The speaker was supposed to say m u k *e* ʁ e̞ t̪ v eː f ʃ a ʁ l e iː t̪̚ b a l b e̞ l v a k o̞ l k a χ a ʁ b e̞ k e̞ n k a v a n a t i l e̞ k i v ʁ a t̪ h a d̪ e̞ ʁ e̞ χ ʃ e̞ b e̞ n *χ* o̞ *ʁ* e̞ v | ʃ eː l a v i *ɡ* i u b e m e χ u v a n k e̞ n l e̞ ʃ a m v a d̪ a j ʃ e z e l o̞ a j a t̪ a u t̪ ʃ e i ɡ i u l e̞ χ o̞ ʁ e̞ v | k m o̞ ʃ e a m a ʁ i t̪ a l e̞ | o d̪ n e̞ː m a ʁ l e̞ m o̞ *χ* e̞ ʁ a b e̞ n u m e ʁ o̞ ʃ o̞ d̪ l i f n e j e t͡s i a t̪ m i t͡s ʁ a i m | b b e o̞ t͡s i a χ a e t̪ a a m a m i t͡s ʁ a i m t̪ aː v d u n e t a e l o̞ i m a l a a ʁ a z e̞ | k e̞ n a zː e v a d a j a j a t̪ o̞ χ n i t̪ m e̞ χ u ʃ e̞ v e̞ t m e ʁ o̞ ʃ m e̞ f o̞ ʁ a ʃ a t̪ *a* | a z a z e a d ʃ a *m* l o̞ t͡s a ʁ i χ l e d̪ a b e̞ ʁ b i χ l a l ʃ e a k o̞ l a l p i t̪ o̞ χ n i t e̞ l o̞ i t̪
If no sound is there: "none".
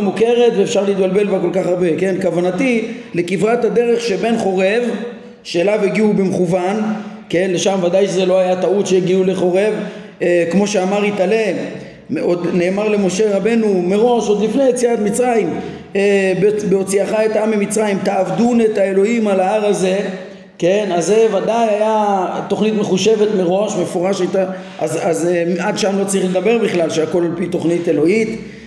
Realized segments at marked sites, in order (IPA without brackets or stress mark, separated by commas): e, χ, ʁ, ɡ, ʃ, a, m